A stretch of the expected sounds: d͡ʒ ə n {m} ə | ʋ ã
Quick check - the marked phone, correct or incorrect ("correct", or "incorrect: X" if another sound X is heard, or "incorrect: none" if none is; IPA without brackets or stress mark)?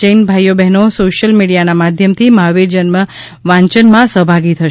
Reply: correct